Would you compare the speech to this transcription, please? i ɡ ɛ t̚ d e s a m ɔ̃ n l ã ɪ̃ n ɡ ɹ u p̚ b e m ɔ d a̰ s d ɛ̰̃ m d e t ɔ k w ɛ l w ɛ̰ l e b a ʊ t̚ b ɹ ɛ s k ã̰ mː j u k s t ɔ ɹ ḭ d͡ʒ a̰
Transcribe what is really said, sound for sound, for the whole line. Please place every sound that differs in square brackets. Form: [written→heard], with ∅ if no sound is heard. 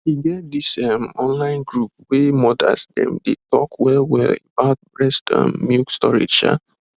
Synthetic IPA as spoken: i ɡ ɛ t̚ d [e→i] s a m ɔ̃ n l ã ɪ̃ n ɡ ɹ u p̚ [b→w] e m ɔ d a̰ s d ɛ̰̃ m d e t ɔ k w ɛ l w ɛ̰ l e b a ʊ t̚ b ɹ ɛ s [k→t] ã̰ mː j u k s t ɔ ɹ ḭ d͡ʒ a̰